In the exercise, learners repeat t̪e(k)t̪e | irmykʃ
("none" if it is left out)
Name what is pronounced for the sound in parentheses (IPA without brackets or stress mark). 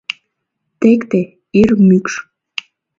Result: k